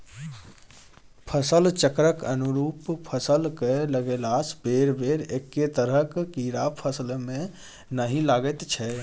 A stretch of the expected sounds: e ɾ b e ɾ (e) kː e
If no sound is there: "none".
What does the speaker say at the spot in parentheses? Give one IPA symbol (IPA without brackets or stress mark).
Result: e